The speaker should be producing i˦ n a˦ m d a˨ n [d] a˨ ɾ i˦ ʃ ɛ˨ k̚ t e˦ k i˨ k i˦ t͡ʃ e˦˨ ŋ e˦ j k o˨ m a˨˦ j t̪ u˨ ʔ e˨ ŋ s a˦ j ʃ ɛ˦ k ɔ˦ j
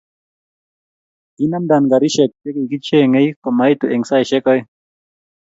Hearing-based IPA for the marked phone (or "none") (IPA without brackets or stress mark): ɡ